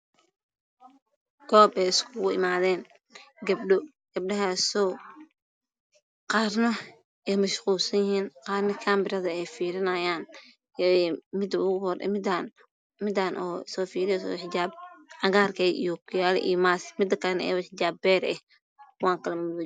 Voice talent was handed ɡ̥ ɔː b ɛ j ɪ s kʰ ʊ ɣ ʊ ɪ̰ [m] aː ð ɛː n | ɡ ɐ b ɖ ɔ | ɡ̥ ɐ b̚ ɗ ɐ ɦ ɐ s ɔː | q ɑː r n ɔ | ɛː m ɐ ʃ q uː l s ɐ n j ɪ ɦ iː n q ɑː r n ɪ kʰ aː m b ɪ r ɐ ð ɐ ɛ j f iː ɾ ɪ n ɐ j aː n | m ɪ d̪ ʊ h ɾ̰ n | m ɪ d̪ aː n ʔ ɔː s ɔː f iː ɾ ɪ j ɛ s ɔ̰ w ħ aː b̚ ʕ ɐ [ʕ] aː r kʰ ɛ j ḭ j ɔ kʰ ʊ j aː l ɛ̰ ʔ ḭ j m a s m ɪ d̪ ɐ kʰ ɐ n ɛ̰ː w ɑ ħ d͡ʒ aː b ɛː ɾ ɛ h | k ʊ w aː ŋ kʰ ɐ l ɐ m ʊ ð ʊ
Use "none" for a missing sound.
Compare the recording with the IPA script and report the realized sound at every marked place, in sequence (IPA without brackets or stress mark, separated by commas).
m, ɣ